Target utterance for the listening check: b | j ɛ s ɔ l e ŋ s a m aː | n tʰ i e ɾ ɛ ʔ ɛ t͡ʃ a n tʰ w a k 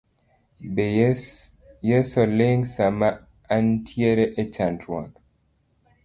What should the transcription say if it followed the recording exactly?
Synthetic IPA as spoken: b | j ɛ s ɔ l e ŋ s a m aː | n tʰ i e ɾ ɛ ʔ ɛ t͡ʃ a n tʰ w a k